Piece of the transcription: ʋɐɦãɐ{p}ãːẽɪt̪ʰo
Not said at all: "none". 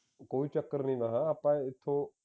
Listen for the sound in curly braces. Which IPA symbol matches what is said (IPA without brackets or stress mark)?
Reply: p